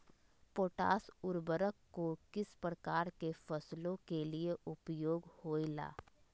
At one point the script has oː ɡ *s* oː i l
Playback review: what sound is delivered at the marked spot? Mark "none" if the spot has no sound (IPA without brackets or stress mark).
h